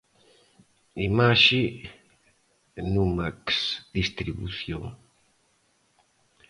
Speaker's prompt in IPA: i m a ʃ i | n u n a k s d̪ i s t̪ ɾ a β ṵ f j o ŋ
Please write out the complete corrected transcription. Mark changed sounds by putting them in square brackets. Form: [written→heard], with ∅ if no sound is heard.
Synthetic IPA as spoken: i m a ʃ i | n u [n→m] a k s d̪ i s t̪ ɾ [a→i] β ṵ [f→θ] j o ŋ